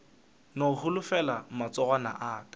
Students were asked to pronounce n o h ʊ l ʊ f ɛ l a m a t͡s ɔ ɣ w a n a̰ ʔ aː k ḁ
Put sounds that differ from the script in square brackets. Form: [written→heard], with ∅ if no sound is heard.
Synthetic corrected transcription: n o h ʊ l ʊ f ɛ l a m a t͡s ɔ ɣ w a n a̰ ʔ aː k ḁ